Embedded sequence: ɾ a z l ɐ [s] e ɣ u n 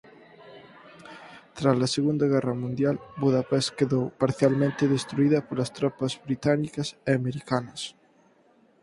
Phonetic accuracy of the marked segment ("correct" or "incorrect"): correct